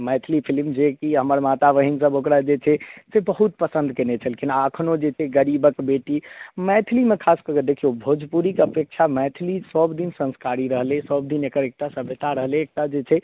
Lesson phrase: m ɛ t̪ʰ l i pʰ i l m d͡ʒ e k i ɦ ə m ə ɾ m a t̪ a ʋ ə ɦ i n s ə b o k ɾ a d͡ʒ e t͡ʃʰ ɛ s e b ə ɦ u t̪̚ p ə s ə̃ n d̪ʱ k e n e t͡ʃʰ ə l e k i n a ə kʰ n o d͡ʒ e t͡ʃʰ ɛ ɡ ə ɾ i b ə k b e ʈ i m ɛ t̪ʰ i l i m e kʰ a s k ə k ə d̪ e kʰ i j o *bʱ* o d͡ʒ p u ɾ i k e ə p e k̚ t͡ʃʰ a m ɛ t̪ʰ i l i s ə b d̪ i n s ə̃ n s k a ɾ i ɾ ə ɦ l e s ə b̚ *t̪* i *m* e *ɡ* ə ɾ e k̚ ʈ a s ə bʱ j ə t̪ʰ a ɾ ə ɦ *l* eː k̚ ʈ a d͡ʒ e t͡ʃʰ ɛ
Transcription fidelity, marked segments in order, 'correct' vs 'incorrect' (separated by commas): correct, incorrect, incorrect, incorrect, correct